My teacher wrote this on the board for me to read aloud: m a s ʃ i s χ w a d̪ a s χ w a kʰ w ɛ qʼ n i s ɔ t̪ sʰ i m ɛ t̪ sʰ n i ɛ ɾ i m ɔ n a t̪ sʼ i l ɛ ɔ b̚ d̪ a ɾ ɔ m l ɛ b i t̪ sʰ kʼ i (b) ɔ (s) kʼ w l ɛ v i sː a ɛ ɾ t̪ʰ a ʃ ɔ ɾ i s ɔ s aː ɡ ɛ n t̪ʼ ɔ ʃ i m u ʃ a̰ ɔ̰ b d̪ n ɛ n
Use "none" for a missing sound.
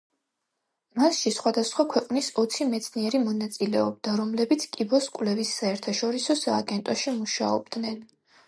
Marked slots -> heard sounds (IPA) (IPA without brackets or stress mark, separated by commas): b, s